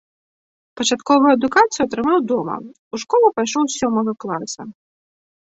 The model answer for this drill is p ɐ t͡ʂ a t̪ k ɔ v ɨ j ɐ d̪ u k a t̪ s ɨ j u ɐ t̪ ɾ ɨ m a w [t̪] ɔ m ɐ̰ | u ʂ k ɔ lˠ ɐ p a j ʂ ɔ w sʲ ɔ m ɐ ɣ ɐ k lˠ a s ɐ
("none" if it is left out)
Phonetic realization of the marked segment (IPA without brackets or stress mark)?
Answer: d̪